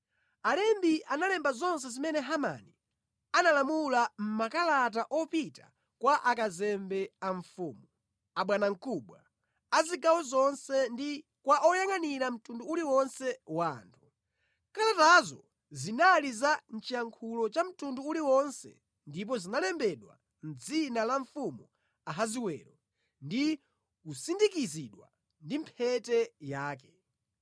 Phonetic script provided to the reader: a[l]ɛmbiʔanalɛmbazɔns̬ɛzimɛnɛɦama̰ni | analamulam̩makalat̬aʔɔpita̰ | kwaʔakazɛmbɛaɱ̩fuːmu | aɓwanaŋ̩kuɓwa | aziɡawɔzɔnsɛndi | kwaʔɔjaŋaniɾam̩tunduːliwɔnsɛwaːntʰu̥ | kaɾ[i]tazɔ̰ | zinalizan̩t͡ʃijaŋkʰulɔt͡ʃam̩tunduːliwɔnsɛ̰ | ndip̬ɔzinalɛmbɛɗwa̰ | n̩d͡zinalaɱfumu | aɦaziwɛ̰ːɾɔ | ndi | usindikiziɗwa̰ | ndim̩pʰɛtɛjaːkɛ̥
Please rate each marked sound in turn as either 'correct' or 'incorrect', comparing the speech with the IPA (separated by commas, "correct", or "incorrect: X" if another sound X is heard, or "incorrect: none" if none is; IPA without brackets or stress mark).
correct, incorrect: a